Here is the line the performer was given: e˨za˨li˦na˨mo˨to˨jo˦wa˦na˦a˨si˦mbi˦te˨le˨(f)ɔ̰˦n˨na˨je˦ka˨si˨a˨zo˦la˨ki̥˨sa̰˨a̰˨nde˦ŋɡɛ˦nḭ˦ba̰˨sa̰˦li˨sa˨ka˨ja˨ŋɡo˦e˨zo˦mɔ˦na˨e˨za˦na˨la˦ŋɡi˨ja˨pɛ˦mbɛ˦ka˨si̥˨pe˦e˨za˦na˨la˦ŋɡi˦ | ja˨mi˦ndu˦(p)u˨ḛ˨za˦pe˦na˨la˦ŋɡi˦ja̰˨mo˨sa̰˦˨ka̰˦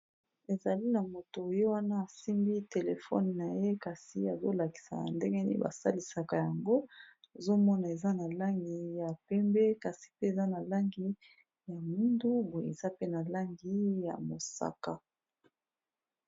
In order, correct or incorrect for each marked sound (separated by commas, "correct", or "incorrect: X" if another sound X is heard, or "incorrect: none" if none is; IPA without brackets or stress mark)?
correct, incorrect: b